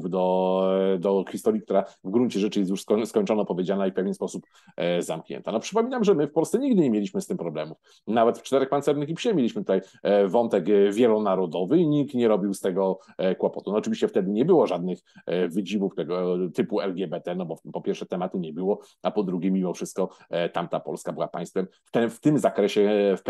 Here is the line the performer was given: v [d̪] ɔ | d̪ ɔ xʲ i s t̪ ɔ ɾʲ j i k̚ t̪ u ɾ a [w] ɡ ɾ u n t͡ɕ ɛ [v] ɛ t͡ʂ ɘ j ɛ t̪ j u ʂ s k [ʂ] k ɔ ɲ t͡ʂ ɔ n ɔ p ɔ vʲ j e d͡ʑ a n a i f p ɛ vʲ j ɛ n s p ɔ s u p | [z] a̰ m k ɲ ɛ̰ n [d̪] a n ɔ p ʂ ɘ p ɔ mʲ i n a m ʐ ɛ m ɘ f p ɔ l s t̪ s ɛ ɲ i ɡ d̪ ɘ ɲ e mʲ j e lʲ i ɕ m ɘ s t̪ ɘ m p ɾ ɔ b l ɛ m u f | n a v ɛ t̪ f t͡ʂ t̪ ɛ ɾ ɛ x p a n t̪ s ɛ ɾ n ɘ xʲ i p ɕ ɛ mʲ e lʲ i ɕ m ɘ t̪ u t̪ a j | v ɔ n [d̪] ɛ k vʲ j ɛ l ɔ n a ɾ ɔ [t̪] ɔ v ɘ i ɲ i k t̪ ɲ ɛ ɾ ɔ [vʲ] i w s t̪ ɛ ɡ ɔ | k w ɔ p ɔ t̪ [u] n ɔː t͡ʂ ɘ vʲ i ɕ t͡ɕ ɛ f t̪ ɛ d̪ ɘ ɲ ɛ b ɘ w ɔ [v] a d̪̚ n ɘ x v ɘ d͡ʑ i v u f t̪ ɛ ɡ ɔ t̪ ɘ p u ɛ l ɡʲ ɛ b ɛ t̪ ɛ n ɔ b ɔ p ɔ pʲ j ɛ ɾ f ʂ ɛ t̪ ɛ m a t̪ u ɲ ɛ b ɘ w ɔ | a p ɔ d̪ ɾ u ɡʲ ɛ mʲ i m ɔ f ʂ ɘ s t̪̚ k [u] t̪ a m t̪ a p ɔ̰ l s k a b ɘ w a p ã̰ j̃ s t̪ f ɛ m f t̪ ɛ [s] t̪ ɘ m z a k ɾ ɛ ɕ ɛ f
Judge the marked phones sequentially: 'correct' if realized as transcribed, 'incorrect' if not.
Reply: correct, incorrect: v, incorrect: ʐ, incorrect: s, correct, incorrect: t̪, incorrect: t̪, incorrect: d̪, incorrect: bʲ, correct, incorrect: ʐ, incorrect: ɔ, incorrect: f

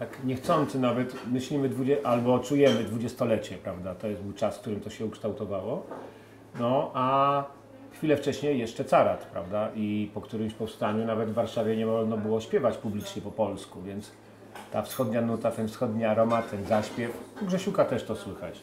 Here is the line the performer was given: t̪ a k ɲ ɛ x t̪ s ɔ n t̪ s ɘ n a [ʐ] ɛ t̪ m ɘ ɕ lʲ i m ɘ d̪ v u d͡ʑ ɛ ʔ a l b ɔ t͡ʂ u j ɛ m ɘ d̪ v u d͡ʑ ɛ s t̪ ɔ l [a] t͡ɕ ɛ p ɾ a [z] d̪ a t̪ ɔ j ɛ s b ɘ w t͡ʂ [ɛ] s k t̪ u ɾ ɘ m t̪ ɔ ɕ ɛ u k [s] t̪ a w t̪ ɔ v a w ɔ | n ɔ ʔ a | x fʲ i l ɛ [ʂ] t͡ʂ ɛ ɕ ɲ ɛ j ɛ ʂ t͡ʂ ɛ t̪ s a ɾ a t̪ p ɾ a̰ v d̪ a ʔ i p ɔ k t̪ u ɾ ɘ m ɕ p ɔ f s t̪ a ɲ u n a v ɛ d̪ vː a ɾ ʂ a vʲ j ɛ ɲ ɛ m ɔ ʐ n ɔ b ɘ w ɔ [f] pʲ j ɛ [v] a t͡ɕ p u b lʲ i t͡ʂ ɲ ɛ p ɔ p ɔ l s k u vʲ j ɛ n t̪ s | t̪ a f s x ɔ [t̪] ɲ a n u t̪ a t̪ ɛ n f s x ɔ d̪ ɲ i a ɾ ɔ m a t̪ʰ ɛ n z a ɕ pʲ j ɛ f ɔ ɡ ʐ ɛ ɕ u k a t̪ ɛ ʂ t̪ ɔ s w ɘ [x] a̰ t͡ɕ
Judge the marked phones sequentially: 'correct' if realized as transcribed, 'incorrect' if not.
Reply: incorrect: v, incorrect: ɛ, incorrect: v, incorrect: a, incorrect: ʂ, incorrect: f, incorrect: ɕ, correct, incorrect: d̪, correct

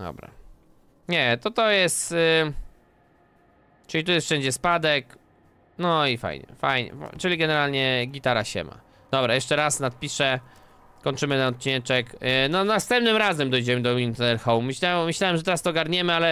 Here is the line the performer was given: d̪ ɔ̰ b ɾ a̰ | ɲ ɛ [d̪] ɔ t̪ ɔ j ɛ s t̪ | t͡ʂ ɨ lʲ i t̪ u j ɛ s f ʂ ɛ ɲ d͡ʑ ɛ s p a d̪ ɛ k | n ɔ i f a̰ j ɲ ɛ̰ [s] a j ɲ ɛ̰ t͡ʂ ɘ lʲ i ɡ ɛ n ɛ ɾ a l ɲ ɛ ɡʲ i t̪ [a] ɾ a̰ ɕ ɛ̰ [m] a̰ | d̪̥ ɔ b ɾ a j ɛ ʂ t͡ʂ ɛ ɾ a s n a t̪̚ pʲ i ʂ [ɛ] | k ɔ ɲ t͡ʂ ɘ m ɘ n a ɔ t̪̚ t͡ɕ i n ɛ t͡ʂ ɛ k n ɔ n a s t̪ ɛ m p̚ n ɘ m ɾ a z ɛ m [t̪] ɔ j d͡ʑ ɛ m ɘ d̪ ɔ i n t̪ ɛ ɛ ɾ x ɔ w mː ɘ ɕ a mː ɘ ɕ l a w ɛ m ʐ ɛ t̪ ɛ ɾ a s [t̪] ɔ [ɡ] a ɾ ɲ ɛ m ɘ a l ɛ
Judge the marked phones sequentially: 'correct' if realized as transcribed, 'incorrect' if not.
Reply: incorrect: t̪, incorrect: f, correct, correct, correct, incorrect: d̪, correct, correct

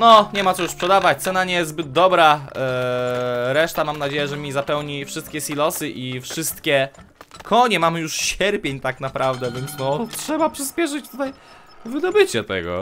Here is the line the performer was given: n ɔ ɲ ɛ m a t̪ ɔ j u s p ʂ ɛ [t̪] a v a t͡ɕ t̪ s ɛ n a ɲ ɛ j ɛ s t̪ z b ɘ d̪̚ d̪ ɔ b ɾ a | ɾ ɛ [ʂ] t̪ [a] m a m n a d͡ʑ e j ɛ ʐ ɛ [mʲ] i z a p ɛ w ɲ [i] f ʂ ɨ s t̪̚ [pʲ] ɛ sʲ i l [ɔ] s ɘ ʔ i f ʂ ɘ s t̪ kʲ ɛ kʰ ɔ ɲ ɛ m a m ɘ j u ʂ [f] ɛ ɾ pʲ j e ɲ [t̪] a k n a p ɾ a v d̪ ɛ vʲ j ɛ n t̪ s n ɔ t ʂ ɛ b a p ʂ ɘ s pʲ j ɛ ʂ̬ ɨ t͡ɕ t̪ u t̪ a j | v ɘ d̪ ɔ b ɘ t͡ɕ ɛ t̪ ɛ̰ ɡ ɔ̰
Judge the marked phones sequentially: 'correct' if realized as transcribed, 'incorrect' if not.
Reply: incorrect: d̪, correct, correct, correct, correct, incorrect: kʲ, correct, incorrect: ɕ, correct

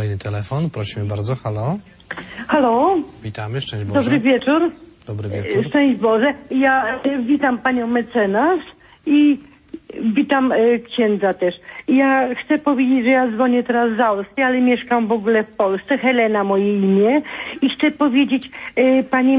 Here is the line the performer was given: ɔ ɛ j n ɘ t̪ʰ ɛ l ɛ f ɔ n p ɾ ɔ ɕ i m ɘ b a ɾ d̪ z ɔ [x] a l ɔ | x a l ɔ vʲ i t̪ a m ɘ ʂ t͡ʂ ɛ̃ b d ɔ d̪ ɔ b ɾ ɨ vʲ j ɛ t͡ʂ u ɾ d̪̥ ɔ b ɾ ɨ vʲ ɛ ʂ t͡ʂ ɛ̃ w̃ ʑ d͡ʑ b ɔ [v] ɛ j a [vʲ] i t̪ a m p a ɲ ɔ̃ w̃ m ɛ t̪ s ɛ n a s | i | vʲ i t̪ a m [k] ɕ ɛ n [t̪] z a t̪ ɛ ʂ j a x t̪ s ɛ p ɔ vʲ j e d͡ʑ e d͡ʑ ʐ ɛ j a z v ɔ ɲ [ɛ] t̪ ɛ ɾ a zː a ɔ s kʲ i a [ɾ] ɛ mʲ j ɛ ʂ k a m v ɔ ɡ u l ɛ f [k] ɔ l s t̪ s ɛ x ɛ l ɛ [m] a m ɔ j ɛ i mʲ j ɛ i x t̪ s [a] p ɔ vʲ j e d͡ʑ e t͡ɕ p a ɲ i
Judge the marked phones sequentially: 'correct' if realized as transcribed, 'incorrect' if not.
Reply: correct, incorrect: ʐ, correct, correct, incorrect: d̪, correct, incorrect: l, incorrect: p, incorrect: n, incorrect: ɛ

